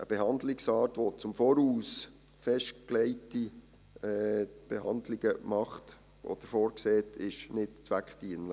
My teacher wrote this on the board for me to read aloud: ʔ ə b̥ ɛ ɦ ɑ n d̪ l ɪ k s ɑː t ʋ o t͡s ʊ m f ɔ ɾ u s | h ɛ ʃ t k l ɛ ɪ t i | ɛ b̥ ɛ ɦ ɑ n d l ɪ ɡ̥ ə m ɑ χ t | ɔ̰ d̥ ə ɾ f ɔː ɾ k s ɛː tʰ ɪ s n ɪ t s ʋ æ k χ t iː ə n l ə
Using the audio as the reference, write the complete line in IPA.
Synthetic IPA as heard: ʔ ə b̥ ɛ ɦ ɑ n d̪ l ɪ k s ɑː t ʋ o t͡s ʊ m f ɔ ɾ uː s | f ɛ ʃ t k l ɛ ɪ t i | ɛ b̥ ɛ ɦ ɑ n d l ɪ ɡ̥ ə m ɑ χ t | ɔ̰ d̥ ə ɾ f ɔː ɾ k s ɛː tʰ ɪ ʃ n ɪ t t͡s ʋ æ k χ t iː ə n l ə